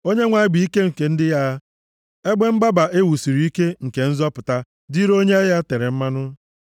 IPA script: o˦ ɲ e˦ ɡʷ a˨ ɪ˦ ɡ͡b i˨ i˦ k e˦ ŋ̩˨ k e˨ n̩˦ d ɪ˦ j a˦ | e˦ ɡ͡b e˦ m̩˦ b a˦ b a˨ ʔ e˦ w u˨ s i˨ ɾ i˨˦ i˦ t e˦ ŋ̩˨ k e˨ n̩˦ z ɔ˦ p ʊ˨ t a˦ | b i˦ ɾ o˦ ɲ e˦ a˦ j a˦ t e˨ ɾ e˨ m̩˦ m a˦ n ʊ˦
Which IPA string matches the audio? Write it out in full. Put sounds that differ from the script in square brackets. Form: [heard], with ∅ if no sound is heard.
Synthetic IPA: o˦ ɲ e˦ [ŋʷ] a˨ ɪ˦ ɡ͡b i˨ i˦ k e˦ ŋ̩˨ k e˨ n̩˦ d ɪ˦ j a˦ | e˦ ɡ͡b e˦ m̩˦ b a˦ b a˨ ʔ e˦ w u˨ s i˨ ɾ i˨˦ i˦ [k] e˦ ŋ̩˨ k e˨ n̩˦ z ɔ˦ p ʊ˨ t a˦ | [d] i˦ ɾ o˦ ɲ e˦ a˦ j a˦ t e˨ ɾ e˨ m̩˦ m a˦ n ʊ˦

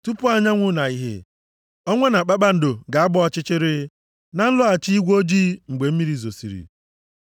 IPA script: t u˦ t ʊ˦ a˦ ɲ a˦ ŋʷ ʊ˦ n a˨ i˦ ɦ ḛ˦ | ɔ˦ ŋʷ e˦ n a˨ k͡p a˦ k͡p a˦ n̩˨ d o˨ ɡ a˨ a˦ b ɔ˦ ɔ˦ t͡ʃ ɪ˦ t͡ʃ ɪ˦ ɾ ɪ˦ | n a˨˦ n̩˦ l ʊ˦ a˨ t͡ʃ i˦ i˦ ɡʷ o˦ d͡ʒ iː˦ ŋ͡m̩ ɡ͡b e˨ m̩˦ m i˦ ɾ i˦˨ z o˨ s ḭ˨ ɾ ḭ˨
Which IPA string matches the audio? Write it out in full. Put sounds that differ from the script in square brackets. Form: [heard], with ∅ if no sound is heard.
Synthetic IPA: t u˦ [p] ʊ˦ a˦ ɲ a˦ ŋʷ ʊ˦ n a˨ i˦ ɦ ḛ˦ | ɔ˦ ŋʷ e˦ n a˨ k͡p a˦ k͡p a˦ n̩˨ d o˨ ɡ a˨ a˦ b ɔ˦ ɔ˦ t͡ʃ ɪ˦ t͡ʃ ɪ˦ ɾ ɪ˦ | n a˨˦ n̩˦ l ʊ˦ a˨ t͡ʃ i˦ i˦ ɡʷ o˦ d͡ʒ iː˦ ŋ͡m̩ ɡ͡b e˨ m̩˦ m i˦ ɾ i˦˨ z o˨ s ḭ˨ ɾ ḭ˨

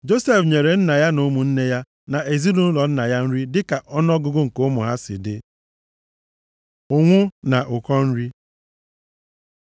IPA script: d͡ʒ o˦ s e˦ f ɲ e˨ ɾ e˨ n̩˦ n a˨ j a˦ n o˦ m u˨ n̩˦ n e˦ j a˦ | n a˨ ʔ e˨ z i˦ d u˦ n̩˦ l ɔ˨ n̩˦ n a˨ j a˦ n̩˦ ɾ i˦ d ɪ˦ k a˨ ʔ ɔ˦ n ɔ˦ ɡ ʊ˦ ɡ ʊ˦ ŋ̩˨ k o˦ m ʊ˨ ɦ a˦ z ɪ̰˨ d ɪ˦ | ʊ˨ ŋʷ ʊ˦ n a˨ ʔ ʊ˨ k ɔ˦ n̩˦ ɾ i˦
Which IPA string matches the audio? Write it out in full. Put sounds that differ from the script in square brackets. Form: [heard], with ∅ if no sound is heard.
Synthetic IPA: d͡ʒ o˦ s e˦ f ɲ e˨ ɾ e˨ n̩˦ n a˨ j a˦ n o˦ m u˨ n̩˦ n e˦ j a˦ | n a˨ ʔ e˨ z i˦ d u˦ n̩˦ l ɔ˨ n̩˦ n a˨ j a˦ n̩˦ ɾ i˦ d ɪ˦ k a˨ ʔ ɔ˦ n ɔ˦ ɡ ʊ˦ ɡ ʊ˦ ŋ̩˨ k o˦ m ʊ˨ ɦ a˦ [s] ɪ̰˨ d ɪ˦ | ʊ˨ ŋʷ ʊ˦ n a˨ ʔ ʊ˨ k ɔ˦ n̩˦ ɾ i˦

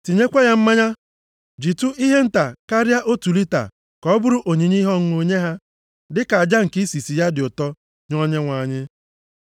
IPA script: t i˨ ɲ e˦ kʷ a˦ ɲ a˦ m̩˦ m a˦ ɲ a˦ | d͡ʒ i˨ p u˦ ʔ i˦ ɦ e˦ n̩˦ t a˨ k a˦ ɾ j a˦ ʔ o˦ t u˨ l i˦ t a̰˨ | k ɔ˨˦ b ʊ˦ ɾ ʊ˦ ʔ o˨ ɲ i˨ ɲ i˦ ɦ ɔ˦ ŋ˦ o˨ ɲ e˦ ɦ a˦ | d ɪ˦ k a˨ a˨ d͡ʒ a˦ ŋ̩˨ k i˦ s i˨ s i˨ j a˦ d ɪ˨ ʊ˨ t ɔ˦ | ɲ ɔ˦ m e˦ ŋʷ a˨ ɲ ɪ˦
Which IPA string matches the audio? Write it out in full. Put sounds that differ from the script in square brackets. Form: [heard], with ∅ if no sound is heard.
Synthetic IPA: t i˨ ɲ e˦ kʷ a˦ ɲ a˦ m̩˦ m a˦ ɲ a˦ | d͡ʒ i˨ [t] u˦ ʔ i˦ ɦ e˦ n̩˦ t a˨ k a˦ ɾ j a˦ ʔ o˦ t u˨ l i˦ t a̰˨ | k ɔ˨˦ b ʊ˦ ɾ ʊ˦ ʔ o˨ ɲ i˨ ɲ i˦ ɦ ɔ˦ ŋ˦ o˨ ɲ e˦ ɦ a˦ | d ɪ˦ k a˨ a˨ d͡ʒ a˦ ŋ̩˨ k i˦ s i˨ s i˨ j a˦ d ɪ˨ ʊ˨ t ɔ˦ | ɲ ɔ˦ [ɲ] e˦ ŋʷ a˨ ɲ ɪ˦

